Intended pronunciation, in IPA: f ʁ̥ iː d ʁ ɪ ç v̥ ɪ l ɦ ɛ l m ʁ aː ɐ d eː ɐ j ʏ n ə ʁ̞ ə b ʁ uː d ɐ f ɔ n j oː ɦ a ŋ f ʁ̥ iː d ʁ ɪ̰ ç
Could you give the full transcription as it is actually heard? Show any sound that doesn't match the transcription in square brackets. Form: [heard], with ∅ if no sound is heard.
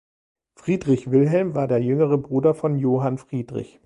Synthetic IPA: f ʁ̥ iː d ʁ ɪ ç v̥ ɪ l ɦ ɛ l m [v] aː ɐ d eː ɐ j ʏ [ŋ] ə ʁ̞ ə b ʁ uː d ɐ f ɔ n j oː ɦ a [n] f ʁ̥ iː d ʁ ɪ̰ ç